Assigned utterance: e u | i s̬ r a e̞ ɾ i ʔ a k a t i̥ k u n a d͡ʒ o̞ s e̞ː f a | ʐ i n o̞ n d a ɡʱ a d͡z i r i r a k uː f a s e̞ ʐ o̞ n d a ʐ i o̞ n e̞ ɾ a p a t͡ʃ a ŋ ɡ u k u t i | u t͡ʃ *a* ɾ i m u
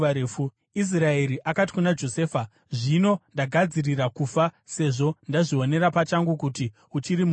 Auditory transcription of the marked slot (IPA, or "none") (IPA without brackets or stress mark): i